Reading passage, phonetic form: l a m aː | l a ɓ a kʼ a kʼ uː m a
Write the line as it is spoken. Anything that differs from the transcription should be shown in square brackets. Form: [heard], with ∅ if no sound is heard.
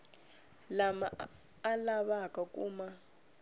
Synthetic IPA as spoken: l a m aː | l a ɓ a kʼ a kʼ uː m a